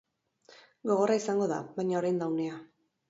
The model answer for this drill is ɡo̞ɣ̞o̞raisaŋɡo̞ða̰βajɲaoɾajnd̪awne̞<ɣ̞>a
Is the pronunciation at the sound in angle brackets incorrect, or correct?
incorrect